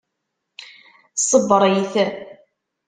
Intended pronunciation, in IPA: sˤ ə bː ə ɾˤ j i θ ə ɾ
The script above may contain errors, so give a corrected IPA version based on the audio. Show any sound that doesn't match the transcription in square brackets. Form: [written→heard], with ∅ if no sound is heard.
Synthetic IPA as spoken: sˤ ə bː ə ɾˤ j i θ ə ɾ